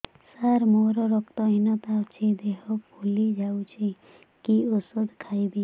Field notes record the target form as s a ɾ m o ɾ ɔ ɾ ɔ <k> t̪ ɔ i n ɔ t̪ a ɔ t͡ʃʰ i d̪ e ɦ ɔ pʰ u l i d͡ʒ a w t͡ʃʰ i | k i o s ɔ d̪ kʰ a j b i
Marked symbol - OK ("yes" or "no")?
yes